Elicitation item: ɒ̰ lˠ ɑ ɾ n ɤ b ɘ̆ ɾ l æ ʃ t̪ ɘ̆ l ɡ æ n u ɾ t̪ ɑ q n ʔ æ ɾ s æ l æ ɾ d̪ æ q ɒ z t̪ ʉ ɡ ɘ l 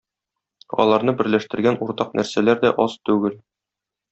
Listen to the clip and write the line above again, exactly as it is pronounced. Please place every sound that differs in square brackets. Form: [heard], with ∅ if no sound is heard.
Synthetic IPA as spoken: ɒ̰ lˠ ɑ ɾ n ɤ b ɘ̆ ɾ l æ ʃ t̪ ɘ̆ [ɾ] ɡ æ n u ɾ t̪ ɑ q n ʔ æ ɾ s æ l æ ɾ d̪ æ [ʔ] ɒ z t̪ ʉ ɡ ɘ l